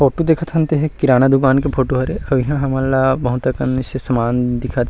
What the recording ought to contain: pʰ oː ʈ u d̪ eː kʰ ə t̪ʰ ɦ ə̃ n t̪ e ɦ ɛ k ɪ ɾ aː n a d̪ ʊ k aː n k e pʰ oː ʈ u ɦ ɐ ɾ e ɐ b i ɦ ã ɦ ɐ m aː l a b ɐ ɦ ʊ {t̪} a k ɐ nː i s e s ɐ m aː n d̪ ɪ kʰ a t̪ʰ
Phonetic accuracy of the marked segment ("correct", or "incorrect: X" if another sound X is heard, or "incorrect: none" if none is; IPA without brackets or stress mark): correct